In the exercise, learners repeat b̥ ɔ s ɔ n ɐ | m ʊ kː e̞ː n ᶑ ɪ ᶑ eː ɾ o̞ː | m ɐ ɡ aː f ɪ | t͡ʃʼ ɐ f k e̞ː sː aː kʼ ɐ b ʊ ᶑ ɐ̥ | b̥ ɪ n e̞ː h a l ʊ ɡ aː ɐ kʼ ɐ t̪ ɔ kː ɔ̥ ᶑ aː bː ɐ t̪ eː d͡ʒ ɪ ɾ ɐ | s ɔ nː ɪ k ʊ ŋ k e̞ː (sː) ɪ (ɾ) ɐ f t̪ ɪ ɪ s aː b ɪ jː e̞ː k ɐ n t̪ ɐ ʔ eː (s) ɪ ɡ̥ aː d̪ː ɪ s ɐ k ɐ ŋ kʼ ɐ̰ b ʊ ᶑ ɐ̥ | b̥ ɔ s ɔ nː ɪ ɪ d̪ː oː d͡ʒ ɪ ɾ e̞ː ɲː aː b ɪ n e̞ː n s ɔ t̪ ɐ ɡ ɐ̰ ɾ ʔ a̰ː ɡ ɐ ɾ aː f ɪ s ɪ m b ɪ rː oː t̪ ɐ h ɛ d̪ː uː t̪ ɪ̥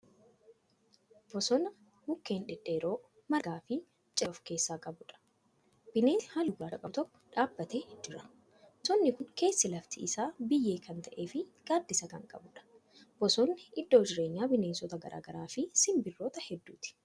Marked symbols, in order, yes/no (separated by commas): yes, no, no